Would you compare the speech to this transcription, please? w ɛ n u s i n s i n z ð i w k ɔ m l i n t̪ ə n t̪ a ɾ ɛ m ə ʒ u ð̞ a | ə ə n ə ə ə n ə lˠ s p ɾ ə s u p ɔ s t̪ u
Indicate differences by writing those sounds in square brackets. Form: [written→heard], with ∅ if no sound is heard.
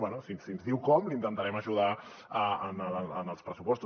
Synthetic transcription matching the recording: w ɛ n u s i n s i n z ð i w k ɔ m l i n t̪ ə n t̪ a ɾ ɛ m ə ʒ u ð̞ a | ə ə n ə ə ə n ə lˠ s p ɾ ə s u p ɔ s t̪ u